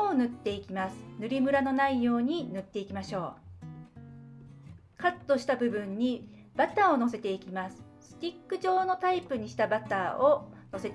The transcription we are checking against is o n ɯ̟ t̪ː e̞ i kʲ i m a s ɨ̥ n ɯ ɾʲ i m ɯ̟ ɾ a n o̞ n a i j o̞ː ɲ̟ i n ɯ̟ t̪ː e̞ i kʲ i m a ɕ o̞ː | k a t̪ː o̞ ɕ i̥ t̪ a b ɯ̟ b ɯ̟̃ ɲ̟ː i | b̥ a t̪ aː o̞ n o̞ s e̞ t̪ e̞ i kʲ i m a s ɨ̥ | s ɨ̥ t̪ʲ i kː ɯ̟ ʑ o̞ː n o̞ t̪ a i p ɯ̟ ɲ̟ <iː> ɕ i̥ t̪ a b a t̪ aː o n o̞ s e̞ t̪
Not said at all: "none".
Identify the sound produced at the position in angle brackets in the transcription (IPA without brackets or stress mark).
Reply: i